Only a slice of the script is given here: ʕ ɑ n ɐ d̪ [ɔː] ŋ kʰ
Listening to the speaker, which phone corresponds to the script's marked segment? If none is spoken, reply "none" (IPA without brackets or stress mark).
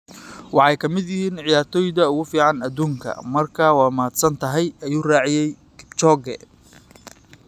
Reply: uː